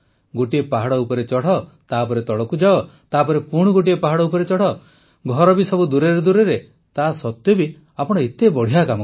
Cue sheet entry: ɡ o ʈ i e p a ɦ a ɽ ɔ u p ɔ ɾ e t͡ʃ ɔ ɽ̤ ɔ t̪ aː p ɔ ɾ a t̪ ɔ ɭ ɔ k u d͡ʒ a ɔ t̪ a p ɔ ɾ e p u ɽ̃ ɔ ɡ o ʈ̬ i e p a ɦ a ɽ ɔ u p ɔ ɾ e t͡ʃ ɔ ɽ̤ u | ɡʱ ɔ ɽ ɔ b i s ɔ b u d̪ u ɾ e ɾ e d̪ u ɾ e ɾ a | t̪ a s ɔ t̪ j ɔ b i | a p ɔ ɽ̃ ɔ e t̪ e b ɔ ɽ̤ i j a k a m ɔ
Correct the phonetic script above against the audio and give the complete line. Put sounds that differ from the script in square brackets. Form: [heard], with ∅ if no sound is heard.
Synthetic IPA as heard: ɡ o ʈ i e p a ɦ a ɽ ɔ u p ɔ ɾ e t͡ʃ ɔ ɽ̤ ɔ t̪ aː p ɔ ɾ [e] t̪ ɔ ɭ ɔ k u d͡ʒ a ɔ t̪ a p ɔ ɾ e p u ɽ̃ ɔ ɡ o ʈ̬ i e p a ɦ a ɽ ɔ u p ɔ ɾ e t͡ʃ ɔ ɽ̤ [ɔ] | ɡʱ ɔ [ɾ] ɔ b i s ɔ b u d̪ u ɾ e ɾ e d̪ u ɾ e ɾ [e] | t̪ a s ɔ t̪ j ɔ b i | a p ɔ ɽ̃ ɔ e t̪ e b ɔ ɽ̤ i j a k a m ɔ